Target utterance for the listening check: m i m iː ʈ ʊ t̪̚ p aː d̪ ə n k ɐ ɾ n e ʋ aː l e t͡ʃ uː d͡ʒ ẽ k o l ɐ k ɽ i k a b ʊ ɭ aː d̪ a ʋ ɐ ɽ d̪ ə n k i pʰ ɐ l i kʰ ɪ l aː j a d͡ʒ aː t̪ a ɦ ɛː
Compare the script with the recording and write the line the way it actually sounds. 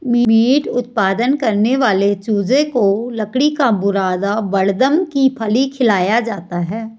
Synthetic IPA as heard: m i m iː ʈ ʊ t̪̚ p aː d̪ ə n k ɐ ɾ n e ʋ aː l e t͡ʃ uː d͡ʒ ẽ k o l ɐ k ɽ i k a b ʊ ɾ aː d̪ a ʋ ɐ ɽ d̪ ə m k i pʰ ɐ l i kʰ ɪ l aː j a d͡ʒ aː t̪ a ɦ ɛː